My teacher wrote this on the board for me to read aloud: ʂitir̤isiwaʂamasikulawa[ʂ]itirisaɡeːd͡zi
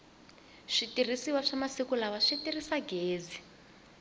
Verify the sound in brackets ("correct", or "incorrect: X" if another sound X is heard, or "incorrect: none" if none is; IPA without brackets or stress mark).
correct